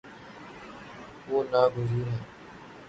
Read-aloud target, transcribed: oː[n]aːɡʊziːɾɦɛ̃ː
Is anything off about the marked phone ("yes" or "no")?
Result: no